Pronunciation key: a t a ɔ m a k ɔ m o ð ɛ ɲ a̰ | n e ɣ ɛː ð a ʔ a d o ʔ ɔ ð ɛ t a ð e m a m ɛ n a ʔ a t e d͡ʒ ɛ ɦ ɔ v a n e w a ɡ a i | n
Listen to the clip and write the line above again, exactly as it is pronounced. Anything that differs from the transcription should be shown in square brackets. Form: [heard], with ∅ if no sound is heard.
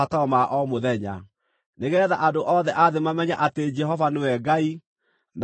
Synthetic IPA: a t a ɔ m a [ʔ] ɔ m o ð ɛ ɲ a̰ | n e ɣ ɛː ð a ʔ a d o ʔ ɔ ð ɛ [ʔ] a ð e m a m ɛ [ɲ] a ʔ a t e d͡ʒ ɛ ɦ ɔ v a n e w [ɛ] ɡ a i | n